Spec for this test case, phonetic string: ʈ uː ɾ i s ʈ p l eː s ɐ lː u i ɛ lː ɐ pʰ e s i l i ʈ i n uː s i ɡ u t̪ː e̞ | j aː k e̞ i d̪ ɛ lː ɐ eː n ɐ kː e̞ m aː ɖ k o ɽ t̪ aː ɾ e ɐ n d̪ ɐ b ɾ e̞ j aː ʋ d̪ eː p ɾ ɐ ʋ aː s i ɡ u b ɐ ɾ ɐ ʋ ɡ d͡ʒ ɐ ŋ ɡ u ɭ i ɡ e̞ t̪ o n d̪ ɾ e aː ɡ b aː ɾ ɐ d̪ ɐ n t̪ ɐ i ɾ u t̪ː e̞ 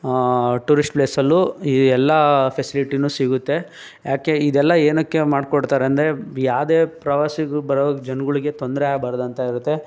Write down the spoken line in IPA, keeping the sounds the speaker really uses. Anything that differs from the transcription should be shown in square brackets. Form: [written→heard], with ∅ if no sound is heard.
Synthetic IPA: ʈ uː ɾ i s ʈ p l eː s ɐ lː u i ɛ lː ɐ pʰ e s i l i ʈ i n uː s i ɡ u t̪ː e̞ | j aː k e̞ i d̪ ɛ lː ɐ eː n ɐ kː e̞ m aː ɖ k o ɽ t̪ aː ɾ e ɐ n d̪ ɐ [b→∅] ɾ e̞ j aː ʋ d̪ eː p ɾ ɐ ʋ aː s i ɡ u b ɐ ɾ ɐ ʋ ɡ d͡ʒ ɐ [ŋ→n] ɡ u ɭ i ɡ e̞ t̪ o n d̪ ɾ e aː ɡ b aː ɾ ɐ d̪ ɐ n t̪ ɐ i ɾ u t̪ː e̞

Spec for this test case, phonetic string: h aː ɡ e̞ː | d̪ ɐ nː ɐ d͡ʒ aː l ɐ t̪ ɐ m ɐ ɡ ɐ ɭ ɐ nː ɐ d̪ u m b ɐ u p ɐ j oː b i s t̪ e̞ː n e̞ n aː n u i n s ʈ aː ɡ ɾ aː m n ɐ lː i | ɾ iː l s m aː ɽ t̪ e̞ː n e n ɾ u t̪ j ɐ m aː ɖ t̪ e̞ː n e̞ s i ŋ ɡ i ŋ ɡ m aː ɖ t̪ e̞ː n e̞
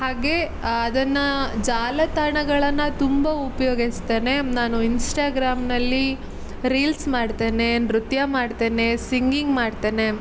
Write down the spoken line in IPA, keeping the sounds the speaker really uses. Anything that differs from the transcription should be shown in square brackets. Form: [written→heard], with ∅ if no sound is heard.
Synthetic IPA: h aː ɡ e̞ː | d̪ ɐ nː ɐ d͡ʒ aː l ɐ t̪ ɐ [m→ɳ] ɐ ɡ ɐ ɭ ɐ nː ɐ [d̪→t̪] u m b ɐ u p ɐ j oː [b→ɡ] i s t̪ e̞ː n e̞ n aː n u i n s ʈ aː ɡ ɾ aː m n ɐ lː i | ɾ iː l s m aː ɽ t̪ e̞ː n e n ɾ u t̪ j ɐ m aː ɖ t̪ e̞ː n e̞ s i ŋ ɡ i ŋ ɡ m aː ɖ t̪ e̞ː n e̞

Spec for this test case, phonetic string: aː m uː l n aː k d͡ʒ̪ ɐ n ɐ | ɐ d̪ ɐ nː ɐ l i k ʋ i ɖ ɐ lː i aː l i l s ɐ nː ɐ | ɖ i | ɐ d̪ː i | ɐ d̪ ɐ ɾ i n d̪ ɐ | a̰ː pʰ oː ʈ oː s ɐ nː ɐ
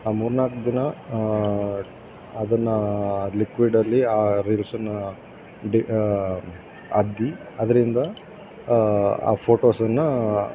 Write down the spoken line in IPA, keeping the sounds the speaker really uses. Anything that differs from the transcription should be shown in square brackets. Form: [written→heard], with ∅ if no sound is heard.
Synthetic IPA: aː m uː [l→ɾ] n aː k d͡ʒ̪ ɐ n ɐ | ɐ d̪ ɐ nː ɐ l i k ʋ i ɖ ɐ lː i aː [l→ɾ] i l s ɐ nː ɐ | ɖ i | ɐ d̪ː i | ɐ d̪ ɐ ɾ i n d̪ ɐ | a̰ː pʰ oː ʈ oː s ɐ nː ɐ

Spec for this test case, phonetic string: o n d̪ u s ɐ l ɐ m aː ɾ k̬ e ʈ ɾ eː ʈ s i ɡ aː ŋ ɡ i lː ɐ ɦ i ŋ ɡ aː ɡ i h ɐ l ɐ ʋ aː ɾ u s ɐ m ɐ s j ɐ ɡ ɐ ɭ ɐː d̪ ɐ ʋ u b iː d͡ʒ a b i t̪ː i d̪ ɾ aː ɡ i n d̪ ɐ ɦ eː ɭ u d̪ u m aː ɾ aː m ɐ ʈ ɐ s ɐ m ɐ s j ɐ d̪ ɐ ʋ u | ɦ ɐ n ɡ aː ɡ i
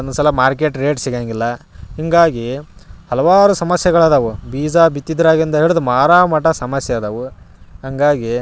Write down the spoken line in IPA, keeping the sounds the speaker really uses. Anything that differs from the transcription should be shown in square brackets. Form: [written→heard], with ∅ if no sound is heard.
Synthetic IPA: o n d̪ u s ɐ l ɐ m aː ɾ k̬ e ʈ ɾ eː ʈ s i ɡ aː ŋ ɡ i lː ɐ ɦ i ŋ ɡ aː ɡ i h ɐ l ɐ ʋ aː ɾ u s ɐ m ɐ s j ɐ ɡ ɐ ɭ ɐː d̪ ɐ ʋ u b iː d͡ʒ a b i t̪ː i d̪ ɾ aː ɡ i n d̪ ɐ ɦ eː ɭ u d̪ u m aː ɾ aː m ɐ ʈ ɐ s ɐ m ɐ s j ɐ d̪ ɐ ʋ u | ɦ ɐ [n→ŋ] ɡ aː ɡ i

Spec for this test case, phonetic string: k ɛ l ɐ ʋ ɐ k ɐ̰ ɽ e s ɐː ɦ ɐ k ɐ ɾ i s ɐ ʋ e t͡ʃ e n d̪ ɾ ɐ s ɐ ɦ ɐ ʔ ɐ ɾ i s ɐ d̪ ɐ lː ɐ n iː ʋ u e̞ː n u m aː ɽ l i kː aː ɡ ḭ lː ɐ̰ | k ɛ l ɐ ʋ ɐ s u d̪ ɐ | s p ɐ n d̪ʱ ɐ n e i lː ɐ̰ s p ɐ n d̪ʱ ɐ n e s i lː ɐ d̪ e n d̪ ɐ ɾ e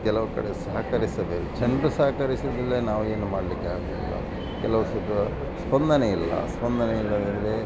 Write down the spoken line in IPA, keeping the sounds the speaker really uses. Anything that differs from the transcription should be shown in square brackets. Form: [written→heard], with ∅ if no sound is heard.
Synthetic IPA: k ɛ l ɐ ʋ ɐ k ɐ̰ ɽ e s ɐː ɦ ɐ k ɐ ɾ i s ɐ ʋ e t͡ʃ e n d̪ ɾ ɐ s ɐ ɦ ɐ [ʔ→k] ɐ ɾ i s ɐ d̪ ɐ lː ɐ n [iː→aː] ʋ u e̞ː n u m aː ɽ l i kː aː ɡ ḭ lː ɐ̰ | k ɛ l ɐ ʋ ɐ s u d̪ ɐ | s p ɐ n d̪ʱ ɐ n e i lː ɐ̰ s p ɐ n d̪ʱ ɐ n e [s→∅] i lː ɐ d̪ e n d̪ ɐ ɾ e

